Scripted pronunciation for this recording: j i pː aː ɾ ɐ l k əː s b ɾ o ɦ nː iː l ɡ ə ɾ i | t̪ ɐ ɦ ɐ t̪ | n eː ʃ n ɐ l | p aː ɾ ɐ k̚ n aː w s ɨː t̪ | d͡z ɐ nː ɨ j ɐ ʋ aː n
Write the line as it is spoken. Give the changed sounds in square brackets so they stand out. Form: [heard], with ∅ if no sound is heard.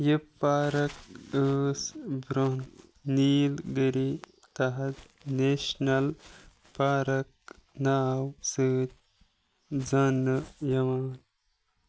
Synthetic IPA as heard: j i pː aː ɾ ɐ [∅] k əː s b ɾ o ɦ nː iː l ɡ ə ɾ i | t̪ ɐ ɦ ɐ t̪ | n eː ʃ n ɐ l | p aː ɾ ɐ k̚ n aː w s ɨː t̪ | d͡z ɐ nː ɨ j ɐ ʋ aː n